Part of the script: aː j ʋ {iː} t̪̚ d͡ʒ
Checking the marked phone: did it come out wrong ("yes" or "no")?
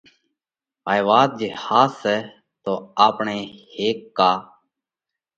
yes